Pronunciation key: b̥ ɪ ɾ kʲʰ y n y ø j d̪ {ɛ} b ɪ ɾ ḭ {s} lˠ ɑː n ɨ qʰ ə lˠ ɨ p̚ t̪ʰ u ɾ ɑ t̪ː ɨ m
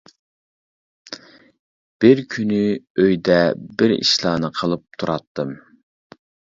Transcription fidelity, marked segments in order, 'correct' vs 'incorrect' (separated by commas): correct, incorrect